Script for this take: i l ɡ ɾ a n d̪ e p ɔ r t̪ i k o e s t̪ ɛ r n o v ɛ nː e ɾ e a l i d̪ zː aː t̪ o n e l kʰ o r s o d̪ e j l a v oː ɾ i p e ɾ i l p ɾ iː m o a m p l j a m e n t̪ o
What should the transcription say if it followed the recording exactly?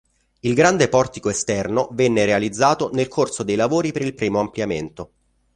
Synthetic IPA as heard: i l ɡ ɾ a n d̪ e p ɔ r t̪ i k o e s t̪ ɛ r n o v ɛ nː e ɾ e a l i d̪ zː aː t̪ o n e l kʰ o r s o d̪ e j l a v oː ɾ i p e ɾ i l p ɾ iː m o a m p l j a m e n t̪ o